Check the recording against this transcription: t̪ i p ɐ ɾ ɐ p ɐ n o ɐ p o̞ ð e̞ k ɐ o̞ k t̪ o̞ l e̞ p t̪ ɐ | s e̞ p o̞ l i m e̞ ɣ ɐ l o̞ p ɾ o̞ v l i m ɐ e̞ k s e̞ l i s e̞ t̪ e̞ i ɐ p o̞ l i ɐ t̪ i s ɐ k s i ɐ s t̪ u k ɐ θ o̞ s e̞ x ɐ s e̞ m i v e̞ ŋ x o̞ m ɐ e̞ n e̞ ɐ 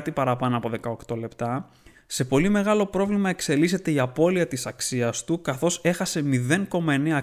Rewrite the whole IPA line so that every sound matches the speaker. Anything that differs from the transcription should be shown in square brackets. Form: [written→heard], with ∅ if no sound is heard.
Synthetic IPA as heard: t̪ i p ɐ ɾ ɐ p ɐ n o ɐ p o̞ ð e̞ k ɐ o̞ k t̪ o̞ l e̞ p t̪ ɐ | s e̞ p o̞ l i m e̞ ɣ ɐ l o̞ p ɾ o̞ v l i m ɐ e̞ k s e̞ l i s e̞ t̪ e̞ i ɐ p o̞ l i ɐ t̪ i s ɐ k s i ɐ s t̪ u k ɐ θ o̞ s e̞ x ɐ s e̞ m i [v→ð] e̞ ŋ [x→k] o̞ m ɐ e̞ n e̞ ɐ